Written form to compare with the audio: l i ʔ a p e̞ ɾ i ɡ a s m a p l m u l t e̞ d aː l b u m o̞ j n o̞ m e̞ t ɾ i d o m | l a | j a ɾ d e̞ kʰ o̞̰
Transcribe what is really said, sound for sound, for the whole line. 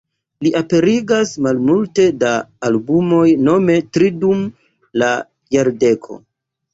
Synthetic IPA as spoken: l i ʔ a p e̞ ɾ i ɡ a s m a l m u l t e̞ d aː l b u m o̞ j n o̞ m e̞ t ɾ i d u m | l a | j a ɾ d e̞ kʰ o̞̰